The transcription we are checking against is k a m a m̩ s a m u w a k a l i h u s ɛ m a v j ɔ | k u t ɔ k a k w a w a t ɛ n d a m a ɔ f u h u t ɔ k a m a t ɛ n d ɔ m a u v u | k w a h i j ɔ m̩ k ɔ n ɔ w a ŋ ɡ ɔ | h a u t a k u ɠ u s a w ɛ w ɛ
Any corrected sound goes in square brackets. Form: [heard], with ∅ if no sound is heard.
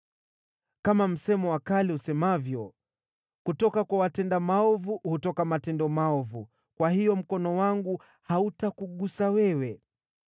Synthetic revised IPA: k a m a m̩ s [ɛ] m [ɔ] w a k a l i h u s ɛ m a v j ɔ | k u t ɔ k a k w a w a t ɛ n d a m a ɔ [v] u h u t ɔ k a m a t ɛ n d ɔ m a [ɔ] v u | k w a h i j ɔ m̩ k ɔ n ɔ w a ŋ ɡ [u] | h a u t a k u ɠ u s a w ɛ w ɛ

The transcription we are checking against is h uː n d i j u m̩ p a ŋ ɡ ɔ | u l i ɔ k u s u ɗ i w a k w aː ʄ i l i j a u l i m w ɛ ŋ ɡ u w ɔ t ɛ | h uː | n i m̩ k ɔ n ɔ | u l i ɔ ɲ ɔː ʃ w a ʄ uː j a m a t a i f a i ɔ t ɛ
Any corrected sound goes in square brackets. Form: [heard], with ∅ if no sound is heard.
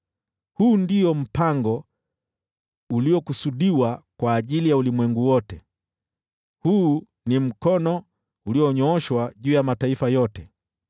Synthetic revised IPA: h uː n d i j [ɔ] m̩ p a ŋ ɡ ɔ | u l i ɔ k u s u ɗ i w a k w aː ʄ i l i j a u l i m w ɛ ŋ ɡ u w ɔ t ɛ | h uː | n i m̩ k ɔ n ɔ | u l i ɔ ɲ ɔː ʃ w a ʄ uː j a m a t a i f a [j] ɔ t ɛ

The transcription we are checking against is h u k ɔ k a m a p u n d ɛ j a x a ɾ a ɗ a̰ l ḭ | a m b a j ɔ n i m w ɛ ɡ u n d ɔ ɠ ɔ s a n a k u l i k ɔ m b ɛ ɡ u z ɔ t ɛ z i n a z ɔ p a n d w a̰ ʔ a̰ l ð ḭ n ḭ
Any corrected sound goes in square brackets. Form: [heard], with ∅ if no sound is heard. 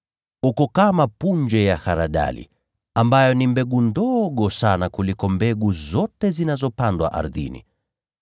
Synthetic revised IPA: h u k ɔ k a m a p u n [d͡ʒ] ɛ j a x a ɾ a ɗ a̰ l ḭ | a m b a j ɔ n i m [b] ɛ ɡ u n d ɔ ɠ ɔ s a n a k u l i k ɔ m b ɛ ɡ u z ɔ t ɛ z i n a z ɔ p a n d w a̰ ʔ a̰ [ɾ] ð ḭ n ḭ

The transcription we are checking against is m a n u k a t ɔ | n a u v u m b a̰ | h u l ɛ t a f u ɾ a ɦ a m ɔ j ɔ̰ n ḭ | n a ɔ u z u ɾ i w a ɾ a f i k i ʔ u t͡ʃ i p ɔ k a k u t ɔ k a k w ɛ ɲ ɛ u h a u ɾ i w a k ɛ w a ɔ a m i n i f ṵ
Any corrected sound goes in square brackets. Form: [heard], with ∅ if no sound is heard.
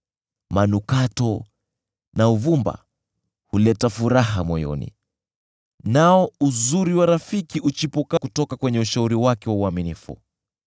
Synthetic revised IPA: m a n u k a t ɔ | n a u v u m b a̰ | h u l ɛ t a f u ɾ a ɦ a m ɔ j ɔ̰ n ḭ | n a ɔ u z u ɾ i w a ɾ a f i k i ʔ u t͡ʃ i p ɔ k a k u t ɔ k a k w ɛ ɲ ɛ u [ʃ] a u ɾ i w a k ɛ w a [u] a m i n i f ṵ

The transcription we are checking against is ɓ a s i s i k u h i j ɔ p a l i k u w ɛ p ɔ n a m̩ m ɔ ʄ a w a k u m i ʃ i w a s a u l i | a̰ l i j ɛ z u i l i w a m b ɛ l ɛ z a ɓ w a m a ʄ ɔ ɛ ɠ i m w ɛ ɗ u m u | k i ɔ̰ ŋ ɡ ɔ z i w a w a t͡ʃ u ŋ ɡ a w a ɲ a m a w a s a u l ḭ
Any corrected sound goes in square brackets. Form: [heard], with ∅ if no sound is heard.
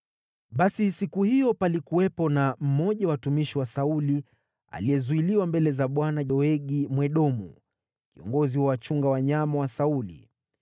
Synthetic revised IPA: ɓ a s i s i k u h i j ɔ p a l i k u w ɛ p ɔ n a m̩ m ɔ ʄ a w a [t] u m i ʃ i w a s a u l i | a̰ l i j ɛ z u i l i w a m b ɛ l ɛ z a ɓ w a [n] a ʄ ɔ ɛ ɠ i m w ɛ ɗ [ɔ] m u | k i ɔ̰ ŋ ɡ ɔ z i w a w a t͡ʃ u ŋ ɡ a w a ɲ a m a w a s a u l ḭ

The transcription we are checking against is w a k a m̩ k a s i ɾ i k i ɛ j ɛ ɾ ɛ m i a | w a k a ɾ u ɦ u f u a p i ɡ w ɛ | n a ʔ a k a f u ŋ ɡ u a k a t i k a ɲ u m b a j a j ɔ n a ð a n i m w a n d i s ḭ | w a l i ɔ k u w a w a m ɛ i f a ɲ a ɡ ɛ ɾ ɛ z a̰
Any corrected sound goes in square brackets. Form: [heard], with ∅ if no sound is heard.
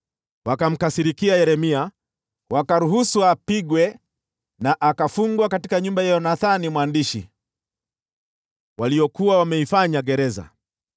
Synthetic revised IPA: w a k a m̩ k a s i ɾ i k i [a] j ɛ ɾ ɛ m i a | w a k a ɾ u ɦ u [s] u a p i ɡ w ɛ | n a ʔ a k a f u ŋ ɡ [w] a k a t i k a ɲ u m b a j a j ɔ n a [θ] a n i m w a n d i [ʃ] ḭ | w a l i ɔ k u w a w a m ɛ i f a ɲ a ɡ ɛ ɾ ɛ z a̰

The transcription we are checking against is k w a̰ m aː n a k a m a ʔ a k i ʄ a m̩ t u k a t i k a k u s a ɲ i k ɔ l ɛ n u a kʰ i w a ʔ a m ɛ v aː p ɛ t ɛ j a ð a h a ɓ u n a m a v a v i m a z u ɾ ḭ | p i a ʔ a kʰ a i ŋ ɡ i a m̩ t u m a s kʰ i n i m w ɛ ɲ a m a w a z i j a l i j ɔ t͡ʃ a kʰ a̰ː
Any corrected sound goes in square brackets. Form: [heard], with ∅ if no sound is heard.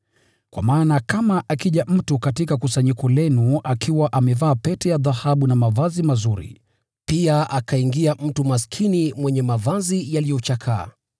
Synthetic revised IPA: k w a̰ m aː n a k a m a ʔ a k i ʄ a m̩ t u k a t i k a k u s a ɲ i k ɔ l ɛ n u a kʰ i w a ʔ a m ɛ v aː p ɛ t ɛ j a ð a h a ɓ u n a m a v a [z] i m a z u ɾ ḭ | p i a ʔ a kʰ a i ŋ ɡ i a m̩ t u m a s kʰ i n i m w ɛ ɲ [ɛ] m a [v] a z i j a l i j ɔ t͡ʃ a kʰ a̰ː

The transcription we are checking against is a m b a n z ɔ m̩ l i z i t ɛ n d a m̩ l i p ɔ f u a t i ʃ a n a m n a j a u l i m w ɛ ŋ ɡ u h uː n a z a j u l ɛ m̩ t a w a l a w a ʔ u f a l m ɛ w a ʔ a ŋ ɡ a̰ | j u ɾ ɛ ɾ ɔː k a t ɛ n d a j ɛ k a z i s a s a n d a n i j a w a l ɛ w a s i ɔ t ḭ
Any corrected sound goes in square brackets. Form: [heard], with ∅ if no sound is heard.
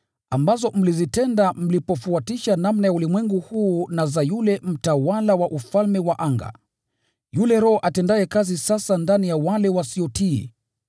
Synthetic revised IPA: a m b a [∅] z ɔ m̩ l i z i t ɛ n d a m̩ l i p ɔ f u a t i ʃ a n a m n a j a u l i m w ɛ ŋ ɡ u h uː n a z a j u l ɛ m̩ t a w a l a w a ʔ u f a l m ɛ w a ʔ a ŋ ɡ a̰ | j u [l] ɛ ɾ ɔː [ʔ] a t ɛ n d a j ɛ k a z i s a s a n d a n i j a w a l ɛ w a s i ɔ t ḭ

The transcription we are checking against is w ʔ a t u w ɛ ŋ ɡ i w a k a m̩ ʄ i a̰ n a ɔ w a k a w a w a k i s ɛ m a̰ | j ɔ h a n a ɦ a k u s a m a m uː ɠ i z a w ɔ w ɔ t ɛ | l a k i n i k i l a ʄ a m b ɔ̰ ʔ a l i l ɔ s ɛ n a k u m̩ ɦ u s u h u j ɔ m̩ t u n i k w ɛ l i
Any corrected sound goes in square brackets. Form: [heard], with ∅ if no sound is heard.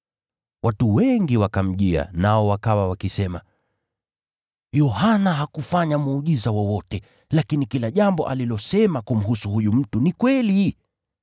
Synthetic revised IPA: w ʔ a t u w ɛ ŋ ɡ i w a k a m̩ ʄ i a̰ n a ɔ w a k a w a w a k i s ɛ m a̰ | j ɔ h a n a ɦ a k u [f] a [ɲ] a m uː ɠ i z a w ɔ w ɔ t ɛ | l a k i n i k i l a ʄ a m b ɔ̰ ʔ a l i l ɔ s ɛ [m] a k u m̩ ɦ u s u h u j [u] m̩ t u n i k w ɛ l i

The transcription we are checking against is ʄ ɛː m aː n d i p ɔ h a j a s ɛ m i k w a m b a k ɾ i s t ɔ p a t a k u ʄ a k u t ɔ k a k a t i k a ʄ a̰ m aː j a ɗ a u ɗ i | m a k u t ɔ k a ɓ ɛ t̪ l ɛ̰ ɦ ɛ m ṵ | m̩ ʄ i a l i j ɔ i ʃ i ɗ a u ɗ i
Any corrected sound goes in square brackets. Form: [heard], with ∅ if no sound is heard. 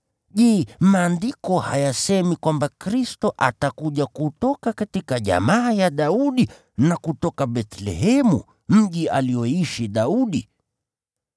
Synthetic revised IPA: ʄ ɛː m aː n d i [k] ɔ h a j a s ɛ m i k w a m b a k ɾ i s t ɔ [ʔ] a t a k u ʄ a k u t ɔ k a k a t i k a ʄ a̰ m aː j a ɗ a u ɗ i | [n] a k u t ɔ k a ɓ ɛ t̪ l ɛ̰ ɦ ɛ m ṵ | m̩ ʄ i a l i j ɔ i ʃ i ɗ a u ɗ i

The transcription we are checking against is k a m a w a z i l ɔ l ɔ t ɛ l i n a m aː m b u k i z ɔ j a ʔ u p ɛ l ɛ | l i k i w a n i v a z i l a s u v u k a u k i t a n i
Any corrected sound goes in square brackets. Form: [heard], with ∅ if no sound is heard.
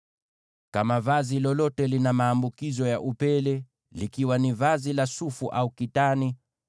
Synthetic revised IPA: k a m a [v] a z i l ɔ l ɔ t ɛ l i n a m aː m b u k i z ɔ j a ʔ u p ɛ l ɛ | l i k i w a n i v a z i l a s u [f] u [ʔ] a u k i t a n i

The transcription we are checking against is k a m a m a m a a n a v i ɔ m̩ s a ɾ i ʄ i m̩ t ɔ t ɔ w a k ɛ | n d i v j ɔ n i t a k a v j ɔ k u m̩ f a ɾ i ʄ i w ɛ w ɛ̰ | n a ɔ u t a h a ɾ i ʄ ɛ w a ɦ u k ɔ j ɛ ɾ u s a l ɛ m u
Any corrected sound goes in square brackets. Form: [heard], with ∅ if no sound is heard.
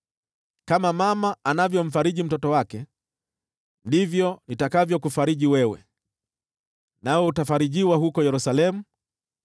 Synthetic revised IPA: k a m a m a m a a n a v [j] ɔ m̩ [f] a ɾ i ʄ i m̩ t ɔ t ɔ w a k ɛ | n d i v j ɔ n i t a k a v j ɔ k u [∅] f a ɾ i ʄ i w ɛ w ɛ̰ | n a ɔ u t a [f] a ɾ i ʄ [i] w a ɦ u k ɔ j ɛ ɾ u s a l ɛ m u

